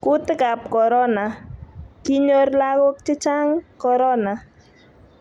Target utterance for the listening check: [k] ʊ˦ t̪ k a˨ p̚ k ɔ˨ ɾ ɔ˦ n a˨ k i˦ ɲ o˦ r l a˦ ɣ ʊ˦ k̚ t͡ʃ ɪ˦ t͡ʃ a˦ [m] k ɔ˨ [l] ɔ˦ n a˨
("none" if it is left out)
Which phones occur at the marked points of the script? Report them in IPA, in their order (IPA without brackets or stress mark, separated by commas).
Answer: k, ŋ, ɾ